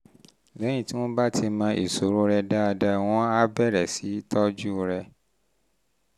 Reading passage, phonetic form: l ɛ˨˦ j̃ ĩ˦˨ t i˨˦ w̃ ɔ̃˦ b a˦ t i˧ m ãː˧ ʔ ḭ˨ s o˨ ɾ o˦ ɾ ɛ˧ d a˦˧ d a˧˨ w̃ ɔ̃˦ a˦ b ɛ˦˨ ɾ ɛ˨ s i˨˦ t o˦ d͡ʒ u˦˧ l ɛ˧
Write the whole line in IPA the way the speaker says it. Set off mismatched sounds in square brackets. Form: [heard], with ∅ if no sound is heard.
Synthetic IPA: l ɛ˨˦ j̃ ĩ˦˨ t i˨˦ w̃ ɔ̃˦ b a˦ t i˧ m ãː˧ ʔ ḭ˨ s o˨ ɾ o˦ ɾ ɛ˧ d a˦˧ d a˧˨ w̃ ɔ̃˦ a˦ b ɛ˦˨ ɾ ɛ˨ s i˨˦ t [ɔ˦] d͡ʒ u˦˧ [ɾ] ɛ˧